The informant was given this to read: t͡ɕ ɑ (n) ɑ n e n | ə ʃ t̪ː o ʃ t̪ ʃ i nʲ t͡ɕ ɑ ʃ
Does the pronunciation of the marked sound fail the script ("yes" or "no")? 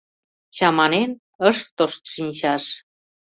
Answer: yes